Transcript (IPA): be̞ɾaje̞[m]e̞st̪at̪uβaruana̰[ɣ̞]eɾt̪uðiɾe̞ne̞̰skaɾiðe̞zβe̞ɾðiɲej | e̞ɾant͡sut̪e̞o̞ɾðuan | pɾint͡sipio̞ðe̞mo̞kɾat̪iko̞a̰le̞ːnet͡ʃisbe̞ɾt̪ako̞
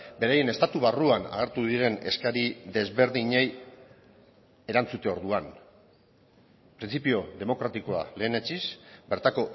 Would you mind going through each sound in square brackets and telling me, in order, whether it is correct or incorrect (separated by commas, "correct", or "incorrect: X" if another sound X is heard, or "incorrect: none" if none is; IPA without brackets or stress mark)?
incorrect: n, correct